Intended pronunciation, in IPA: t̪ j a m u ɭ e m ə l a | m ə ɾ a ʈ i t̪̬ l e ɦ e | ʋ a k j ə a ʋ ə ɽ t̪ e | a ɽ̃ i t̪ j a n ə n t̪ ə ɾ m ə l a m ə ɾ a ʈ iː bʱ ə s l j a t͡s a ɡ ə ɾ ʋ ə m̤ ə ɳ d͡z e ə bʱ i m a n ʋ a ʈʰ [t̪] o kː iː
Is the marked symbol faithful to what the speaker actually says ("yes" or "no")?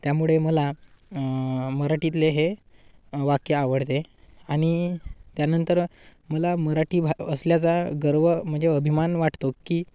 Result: yes